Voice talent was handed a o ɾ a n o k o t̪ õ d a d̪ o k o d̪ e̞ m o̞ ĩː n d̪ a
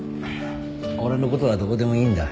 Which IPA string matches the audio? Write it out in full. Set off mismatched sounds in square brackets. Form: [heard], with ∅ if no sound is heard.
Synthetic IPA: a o ɾ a n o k o t̪ [o] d a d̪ o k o d̪ e̞ m o̞ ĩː n d̪ a